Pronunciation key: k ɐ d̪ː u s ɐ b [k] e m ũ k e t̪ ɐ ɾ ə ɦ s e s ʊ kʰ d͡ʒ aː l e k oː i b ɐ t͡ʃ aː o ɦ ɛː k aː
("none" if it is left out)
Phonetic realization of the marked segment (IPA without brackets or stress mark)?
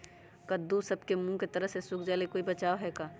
k